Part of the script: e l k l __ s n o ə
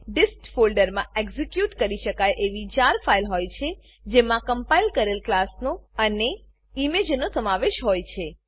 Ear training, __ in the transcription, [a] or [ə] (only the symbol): a